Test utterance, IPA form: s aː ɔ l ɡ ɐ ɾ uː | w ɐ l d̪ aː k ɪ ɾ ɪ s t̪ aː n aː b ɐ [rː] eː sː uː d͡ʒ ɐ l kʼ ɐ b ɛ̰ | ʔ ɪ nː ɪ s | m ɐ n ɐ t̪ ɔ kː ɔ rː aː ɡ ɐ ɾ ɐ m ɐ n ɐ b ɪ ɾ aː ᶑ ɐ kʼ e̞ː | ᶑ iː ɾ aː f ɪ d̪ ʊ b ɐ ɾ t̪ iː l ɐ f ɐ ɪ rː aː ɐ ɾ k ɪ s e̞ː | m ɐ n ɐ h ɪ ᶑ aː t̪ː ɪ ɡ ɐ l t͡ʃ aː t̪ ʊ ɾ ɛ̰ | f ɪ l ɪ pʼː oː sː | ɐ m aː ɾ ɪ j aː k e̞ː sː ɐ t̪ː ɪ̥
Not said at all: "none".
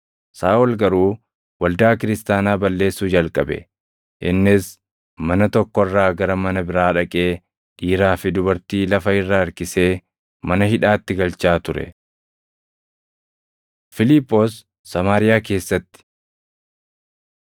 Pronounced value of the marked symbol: lː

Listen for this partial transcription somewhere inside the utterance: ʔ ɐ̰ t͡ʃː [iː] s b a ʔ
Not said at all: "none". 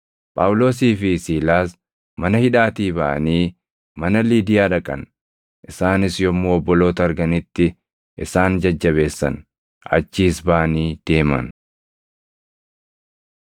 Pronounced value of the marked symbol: iː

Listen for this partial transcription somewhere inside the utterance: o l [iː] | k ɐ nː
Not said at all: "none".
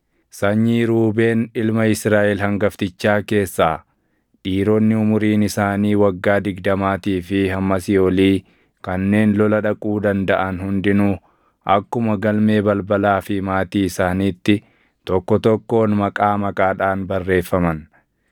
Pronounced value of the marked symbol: iː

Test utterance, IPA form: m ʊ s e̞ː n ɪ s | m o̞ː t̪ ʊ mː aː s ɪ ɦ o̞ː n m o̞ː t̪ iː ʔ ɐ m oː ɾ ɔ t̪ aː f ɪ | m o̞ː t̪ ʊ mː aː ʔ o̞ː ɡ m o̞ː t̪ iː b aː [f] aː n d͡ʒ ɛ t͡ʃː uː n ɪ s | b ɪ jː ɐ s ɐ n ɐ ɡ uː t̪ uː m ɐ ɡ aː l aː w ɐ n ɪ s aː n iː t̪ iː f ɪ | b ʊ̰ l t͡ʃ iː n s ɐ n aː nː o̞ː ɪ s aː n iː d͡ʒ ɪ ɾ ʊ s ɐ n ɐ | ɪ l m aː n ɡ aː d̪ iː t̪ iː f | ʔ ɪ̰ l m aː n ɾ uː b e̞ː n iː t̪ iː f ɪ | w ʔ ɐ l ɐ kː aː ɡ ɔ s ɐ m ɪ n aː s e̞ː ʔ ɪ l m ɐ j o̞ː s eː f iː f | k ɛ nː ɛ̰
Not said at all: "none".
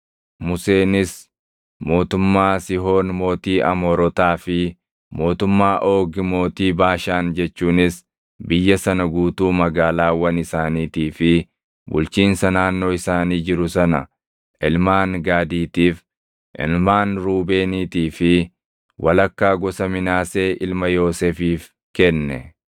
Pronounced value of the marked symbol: ʃ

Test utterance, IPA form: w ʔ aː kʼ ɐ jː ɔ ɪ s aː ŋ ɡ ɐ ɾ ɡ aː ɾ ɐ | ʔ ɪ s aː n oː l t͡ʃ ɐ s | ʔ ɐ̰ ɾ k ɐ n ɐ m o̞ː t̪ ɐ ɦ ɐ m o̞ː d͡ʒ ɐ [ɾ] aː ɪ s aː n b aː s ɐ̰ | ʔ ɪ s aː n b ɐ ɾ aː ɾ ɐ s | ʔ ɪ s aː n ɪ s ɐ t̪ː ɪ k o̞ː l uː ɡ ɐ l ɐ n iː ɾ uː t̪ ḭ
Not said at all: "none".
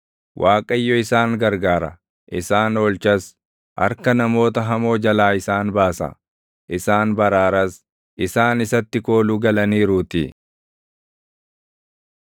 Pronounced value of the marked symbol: l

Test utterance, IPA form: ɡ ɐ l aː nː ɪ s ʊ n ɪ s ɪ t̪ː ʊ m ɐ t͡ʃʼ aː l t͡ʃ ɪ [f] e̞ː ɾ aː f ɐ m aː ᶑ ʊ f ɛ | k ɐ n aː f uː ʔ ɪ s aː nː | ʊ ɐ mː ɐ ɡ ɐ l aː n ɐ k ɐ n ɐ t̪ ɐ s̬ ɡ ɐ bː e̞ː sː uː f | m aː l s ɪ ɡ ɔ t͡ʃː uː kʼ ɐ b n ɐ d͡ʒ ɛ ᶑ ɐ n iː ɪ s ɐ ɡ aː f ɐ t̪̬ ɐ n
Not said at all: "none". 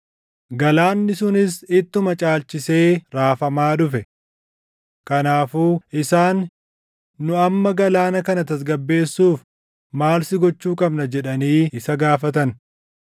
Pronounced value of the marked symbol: s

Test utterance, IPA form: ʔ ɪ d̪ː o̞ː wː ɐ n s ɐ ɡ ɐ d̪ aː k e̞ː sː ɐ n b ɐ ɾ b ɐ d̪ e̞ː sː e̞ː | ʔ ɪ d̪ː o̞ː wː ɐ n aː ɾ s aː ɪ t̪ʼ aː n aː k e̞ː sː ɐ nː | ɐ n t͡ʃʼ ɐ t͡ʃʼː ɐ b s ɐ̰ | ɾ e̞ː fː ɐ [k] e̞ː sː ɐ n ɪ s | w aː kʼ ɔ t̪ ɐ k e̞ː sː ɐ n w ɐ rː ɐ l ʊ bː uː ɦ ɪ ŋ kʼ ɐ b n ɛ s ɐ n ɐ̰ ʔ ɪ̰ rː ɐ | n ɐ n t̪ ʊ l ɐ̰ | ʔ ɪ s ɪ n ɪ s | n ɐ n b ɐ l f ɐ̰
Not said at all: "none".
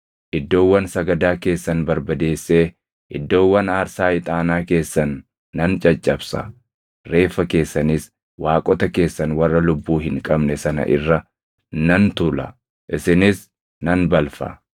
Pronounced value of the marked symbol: k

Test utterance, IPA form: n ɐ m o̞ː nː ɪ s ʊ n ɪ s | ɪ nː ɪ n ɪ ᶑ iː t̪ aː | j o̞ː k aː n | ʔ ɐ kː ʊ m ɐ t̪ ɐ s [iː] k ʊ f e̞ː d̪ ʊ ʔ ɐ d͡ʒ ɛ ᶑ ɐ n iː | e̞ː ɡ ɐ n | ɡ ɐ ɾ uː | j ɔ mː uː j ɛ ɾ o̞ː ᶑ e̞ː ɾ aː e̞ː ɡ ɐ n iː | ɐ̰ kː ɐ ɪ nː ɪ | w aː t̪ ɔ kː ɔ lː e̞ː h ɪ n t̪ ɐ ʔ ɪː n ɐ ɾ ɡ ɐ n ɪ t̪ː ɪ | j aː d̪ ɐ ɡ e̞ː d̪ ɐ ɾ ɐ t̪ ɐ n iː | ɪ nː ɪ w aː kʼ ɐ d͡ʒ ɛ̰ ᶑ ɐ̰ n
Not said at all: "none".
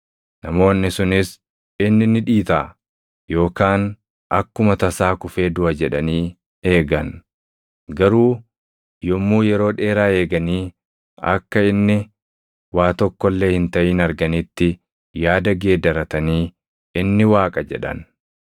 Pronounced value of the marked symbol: aː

